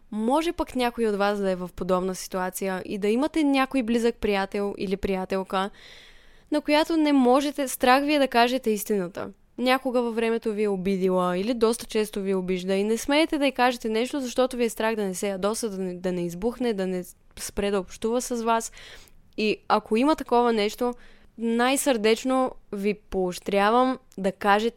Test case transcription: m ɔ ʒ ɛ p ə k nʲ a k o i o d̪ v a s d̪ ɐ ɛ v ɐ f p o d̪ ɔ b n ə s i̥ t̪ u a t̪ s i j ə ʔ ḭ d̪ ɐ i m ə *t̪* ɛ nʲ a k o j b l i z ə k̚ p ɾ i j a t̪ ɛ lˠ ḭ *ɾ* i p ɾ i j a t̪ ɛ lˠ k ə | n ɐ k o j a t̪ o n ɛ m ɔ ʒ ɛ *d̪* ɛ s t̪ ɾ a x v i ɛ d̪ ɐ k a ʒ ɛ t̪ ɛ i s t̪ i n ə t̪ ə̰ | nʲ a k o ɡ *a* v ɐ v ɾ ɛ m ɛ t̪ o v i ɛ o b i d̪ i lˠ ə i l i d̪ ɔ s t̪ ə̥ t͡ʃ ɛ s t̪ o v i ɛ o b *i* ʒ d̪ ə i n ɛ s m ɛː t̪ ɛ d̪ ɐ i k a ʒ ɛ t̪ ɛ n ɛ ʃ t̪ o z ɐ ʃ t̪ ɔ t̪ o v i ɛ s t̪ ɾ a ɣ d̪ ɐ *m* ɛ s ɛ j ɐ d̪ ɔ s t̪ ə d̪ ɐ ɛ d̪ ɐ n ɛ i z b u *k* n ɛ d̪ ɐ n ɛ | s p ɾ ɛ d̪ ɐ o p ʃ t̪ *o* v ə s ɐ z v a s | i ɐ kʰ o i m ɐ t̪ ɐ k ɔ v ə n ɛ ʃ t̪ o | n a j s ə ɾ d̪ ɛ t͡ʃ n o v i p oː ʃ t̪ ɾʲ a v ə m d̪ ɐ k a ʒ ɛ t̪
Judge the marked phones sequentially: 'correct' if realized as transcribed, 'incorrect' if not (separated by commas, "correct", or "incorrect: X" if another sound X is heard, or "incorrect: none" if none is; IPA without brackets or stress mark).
correct, incorrect: l, incorrect: t̪, incorrect: ə, correct, incorrect: n, incorrect: x, incorrect: u